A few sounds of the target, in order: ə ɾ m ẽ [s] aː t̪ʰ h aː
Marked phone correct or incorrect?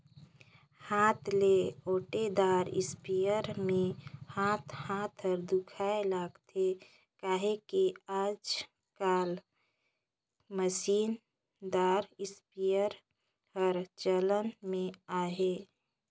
incorrect: h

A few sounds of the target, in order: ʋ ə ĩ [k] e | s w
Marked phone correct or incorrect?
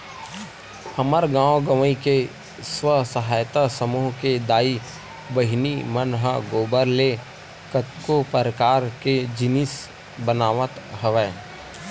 correct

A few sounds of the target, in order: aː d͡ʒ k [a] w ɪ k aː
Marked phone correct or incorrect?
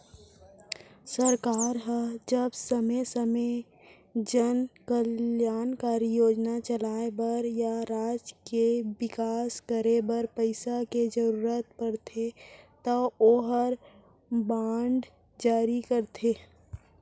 incorrect: e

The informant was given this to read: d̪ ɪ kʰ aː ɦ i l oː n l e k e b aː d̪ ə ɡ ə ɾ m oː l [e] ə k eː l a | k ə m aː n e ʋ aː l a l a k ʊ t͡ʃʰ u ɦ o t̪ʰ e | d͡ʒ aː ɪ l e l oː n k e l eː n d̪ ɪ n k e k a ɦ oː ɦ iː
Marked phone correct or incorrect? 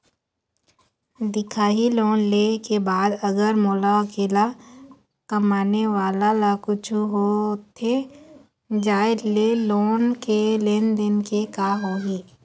incorrect: a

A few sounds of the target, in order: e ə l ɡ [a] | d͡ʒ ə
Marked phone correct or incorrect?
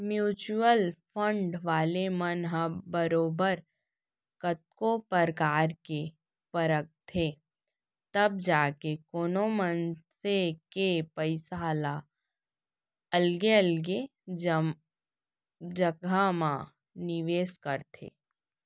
incorrect: e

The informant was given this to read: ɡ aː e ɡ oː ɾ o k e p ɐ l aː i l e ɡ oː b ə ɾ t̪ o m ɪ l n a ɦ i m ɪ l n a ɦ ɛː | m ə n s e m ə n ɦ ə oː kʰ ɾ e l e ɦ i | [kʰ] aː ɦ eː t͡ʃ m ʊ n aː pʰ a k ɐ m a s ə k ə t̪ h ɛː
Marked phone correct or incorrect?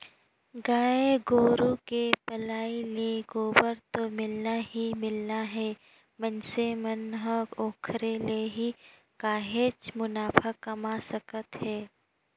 incorrect: k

